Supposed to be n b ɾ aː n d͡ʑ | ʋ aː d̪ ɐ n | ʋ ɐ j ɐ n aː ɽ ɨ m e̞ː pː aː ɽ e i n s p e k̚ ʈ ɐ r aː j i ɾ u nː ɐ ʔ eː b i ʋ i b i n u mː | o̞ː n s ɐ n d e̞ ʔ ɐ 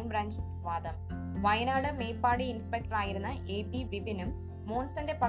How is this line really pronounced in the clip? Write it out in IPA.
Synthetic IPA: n b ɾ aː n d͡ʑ | ʋ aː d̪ ɐ m | ʋ ɐ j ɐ n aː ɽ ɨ m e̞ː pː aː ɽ i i n s p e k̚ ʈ ɐ r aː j i ɾ u nː ɐ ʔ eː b i ʋ i b i n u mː | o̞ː n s ɐ n d e̞ p ɐ